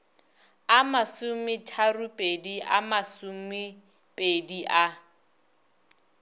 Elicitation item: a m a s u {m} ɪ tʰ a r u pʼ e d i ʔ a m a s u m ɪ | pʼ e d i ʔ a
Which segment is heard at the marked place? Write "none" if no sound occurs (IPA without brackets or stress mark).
m